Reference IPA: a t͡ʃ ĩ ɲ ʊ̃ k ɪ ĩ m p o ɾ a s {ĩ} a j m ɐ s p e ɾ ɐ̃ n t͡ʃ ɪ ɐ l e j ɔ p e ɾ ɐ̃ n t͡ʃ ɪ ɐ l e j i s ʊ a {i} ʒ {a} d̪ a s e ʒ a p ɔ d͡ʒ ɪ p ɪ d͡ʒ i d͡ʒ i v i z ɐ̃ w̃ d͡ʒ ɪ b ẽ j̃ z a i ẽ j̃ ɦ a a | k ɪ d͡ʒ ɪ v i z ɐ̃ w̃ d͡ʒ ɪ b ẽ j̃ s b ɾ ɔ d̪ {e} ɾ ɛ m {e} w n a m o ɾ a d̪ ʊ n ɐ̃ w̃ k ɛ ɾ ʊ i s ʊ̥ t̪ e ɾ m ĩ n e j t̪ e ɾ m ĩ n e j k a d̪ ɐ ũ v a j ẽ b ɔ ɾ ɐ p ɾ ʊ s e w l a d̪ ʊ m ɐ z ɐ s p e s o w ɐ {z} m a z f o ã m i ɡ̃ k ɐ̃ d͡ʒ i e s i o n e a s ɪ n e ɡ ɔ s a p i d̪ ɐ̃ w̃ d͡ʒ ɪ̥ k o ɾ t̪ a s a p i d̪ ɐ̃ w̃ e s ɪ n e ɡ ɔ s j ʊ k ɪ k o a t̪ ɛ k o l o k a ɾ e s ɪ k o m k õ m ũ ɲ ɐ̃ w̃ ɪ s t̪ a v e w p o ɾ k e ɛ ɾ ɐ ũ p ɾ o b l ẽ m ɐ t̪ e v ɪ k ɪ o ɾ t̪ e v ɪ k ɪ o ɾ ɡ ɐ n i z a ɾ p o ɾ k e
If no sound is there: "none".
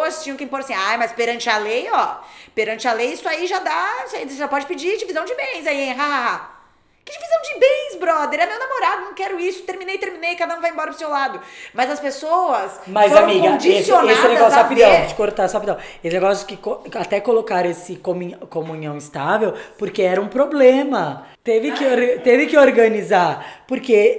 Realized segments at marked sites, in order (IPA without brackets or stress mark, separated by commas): ĩ, i, a, e, e, s